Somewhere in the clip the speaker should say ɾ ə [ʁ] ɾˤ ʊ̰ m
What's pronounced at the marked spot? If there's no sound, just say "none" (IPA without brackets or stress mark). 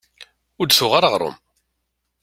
ʁ